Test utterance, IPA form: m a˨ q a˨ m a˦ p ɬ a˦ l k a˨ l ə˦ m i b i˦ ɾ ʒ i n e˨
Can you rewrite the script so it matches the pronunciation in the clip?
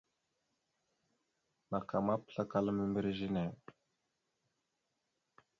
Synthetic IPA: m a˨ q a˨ m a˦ p ɬ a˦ k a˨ l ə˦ m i m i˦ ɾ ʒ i n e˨